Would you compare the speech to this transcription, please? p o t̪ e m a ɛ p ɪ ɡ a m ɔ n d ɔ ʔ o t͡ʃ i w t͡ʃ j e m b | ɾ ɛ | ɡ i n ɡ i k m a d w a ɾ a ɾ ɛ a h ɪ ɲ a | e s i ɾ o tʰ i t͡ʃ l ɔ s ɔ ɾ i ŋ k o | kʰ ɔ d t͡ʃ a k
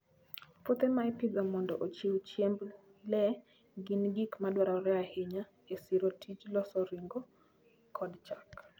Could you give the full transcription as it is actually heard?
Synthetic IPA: p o t̪ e m a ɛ p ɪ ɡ a m ɔ n d ɔ ʔ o t͡ʃ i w t͡ʃ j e m b | l ɛ | ɡ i n ɡ i k m a d w a ɾ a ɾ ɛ a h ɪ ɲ a | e s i ɾ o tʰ i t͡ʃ l ɔ s ɔ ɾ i ŋ ɡ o | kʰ ɔ d t͡ʃ a k